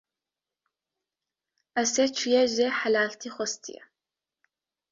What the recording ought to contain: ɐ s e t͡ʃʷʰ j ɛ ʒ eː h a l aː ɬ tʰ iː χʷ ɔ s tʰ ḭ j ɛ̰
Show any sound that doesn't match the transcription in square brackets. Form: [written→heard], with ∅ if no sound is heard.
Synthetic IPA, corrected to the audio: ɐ s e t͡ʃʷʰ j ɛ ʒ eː [h→ħ] a l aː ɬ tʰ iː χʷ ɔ s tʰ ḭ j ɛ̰